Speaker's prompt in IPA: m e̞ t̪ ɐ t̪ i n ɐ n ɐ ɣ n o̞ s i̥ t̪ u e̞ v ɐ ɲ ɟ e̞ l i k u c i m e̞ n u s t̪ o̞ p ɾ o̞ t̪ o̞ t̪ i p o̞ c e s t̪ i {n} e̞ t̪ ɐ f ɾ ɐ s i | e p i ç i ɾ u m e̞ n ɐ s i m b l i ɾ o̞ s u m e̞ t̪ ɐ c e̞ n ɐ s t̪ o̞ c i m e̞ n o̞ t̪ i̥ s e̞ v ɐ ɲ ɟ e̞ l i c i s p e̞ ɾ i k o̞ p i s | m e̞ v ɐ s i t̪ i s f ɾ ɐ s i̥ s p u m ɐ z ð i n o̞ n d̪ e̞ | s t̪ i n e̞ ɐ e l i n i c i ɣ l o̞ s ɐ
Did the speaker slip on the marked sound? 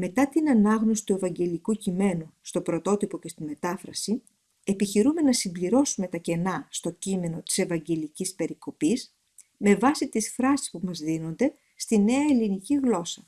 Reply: yes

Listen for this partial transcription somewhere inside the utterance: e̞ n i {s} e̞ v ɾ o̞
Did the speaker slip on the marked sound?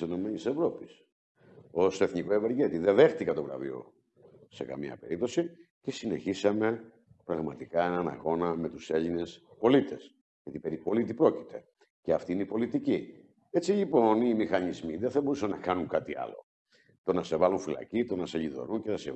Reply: no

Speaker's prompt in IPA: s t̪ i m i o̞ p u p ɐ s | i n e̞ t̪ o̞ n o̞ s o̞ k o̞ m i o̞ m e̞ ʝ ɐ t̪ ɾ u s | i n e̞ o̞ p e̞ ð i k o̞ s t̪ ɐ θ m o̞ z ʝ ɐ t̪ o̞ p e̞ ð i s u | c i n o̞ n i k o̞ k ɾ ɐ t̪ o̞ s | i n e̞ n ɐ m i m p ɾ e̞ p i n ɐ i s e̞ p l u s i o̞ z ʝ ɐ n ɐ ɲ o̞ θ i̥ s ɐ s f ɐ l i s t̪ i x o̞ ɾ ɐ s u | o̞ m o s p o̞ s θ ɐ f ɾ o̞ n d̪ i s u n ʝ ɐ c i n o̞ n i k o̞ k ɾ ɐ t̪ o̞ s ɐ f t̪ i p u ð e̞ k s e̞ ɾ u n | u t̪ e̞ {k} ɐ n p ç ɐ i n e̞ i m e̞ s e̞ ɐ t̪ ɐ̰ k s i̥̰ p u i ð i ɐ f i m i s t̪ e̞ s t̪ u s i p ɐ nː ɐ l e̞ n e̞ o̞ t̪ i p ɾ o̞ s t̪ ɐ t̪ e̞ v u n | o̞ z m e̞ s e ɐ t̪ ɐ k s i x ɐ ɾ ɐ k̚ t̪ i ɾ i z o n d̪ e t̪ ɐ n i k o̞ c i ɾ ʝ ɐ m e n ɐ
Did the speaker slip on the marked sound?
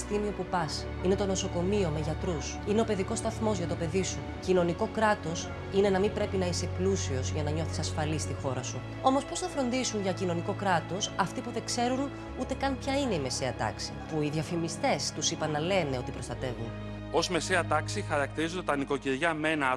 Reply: no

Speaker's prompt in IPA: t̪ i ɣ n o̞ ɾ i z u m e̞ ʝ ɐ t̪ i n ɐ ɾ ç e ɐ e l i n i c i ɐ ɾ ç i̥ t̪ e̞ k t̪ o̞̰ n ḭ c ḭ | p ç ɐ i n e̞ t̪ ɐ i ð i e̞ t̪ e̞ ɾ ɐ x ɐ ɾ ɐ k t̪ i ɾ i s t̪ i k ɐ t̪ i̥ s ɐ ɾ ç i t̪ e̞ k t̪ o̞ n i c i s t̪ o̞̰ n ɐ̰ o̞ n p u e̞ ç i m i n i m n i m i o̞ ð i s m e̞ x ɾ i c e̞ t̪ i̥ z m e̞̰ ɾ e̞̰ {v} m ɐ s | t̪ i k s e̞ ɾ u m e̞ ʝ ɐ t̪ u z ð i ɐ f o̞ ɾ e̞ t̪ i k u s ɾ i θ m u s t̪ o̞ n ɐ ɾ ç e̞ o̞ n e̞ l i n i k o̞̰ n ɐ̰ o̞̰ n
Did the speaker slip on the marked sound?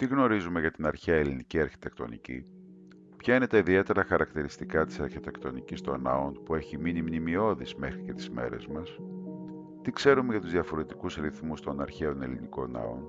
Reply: yes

